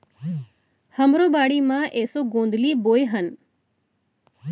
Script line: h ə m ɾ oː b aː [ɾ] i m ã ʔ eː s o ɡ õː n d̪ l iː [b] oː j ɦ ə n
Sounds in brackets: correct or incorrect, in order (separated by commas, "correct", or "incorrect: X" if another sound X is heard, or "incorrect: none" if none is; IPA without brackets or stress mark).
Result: incorrect: ɽ, correct